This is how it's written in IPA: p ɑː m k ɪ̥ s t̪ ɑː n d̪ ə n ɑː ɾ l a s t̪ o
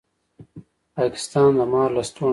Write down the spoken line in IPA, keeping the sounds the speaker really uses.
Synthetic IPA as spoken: p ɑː k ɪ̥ s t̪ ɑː n d̪ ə m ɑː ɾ l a s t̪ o